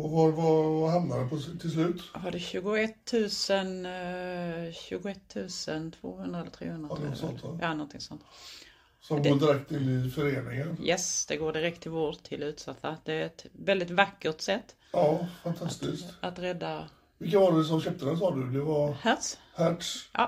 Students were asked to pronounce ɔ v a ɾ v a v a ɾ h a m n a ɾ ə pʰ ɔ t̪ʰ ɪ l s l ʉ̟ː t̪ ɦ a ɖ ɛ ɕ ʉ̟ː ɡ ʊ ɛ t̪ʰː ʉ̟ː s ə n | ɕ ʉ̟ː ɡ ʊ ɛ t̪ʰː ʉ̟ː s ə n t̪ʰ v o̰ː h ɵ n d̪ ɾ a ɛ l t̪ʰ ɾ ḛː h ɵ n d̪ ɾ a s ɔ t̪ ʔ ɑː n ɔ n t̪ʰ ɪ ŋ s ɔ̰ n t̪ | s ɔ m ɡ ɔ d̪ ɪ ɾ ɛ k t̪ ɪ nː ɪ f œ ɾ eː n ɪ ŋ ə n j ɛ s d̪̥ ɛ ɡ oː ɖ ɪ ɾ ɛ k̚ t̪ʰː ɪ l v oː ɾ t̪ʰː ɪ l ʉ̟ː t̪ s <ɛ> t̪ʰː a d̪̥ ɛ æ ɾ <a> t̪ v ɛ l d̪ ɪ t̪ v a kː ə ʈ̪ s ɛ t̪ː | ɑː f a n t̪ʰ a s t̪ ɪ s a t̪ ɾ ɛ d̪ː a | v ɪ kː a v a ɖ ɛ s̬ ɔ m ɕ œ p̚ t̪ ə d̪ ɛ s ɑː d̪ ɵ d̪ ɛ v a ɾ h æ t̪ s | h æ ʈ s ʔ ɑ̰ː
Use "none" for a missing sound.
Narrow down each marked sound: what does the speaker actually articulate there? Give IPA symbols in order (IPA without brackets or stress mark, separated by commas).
a, ɛ